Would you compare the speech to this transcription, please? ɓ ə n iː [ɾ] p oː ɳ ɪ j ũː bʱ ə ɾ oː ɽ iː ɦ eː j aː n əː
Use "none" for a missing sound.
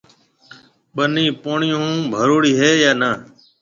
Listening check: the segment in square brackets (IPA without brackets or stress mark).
none